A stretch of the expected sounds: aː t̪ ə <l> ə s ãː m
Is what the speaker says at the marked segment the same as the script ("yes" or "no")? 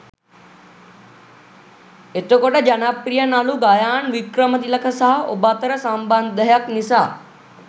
no